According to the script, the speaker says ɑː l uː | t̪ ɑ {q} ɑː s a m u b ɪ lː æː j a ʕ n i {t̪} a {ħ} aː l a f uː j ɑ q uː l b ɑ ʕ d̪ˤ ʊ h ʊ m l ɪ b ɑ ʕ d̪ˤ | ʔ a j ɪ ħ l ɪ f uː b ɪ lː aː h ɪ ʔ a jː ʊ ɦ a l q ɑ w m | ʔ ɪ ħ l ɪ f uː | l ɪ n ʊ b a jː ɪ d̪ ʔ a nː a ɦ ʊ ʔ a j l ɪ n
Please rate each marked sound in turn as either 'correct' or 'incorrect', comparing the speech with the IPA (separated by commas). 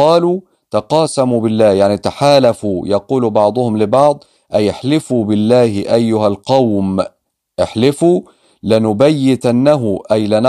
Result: correct, correct, correct